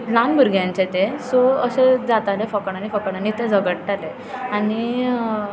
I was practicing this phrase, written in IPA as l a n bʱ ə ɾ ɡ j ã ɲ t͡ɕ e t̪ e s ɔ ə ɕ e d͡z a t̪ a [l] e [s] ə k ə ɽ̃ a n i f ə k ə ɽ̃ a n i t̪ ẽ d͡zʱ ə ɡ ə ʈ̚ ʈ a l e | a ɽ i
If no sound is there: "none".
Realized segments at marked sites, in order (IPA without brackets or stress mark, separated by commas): l, f